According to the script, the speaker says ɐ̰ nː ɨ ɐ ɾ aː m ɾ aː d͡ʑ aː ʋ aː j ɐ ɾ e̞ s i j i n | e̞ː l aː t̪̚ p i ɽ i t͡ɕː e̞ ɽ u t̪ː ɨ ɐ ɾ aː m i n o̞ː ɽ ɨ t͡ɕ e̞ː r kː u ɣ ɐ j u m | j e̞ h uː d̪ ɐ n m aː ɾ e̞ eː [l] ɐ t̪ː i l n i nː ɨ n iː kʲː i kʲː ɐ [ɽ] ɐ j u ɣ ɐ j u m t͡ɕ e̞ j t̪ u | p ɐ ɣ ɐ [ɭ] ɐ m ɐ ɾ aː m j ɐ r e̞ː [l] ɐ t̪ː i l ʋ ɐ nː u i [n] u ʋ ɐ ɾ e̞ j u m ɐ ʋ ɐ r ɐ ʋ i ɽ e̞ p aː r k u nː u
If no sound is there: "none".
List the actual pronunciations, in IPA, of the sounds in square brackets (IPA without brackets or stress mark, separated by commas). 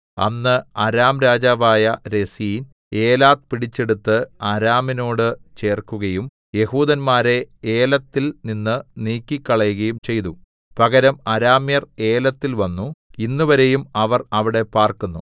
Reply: l, ɭ, ɾ, l, nː